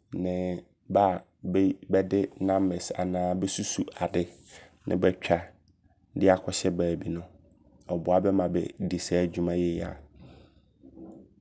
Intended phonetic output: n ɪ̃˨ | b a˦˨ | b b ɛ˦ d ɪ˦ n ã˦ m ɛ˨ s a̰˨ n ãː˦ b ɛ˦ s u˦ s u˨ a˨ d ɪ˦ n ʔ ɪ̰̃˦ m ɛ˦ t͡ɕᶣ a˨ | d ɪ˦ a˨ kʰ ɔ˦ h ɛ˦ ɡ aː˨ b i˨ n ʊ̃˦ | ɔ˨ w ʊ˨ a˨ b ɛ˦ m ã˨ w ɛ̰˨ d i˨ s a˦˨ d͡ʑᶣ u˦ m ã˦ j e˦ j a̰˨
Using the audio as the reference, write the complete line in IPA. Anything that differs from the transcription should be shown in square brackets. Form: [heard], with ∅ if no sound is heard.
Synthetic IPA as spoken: n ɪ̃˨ | b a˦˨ | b b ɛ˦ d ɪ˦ n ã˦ m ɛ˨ s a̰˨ n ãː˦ b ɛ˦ s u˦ s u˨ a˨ d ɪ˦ n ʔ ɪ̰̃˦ [b] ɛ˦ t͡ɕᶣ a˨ | d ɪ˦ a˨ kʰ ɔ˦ [ɕ] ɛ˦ [b] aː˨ b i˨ n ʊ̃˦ | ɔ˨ [b] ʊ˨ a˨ b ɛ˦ m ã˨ [b] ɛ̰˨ d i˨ s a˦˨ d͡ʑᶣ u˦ m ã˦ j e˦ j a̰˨